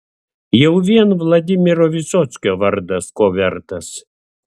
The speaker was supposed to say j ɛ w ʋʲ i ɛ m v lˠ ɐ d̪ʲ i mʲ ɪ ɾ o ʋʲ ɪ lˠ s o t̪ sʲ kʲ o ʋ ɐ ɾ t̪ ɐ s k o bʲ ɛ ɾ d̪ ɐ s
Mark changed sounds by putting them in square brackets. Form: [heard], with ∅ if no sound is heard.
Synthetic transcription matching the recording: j ɛ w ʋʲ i ɛ [n] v lˠ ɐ d̪ʲ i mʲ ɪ ɾ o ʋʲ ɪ [∅] s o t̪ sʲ kʲ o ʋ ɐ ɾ [d̪] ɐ s k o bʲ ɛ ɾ [t̪] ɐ s